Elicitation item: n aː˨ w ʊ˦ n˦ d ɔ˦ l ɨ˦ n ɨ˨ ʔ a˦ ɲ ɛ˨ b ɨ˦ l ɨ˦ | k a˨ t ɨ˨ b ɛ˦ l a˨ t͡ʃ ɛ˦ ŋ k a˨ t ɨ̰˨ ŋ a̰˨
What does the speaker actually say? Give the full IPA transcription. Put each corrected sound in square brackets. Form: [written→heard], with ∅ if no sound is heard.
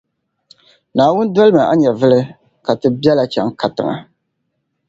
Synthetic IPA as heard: n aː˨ w ʊ˦ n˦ d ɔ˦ l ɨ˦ [n→m] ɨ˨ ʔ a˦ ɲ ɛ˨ [b→v] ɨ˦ l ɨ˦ | k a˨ t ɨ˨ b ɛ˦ l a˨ t͡ʃ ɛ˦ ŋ k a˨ t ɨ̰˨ ŋ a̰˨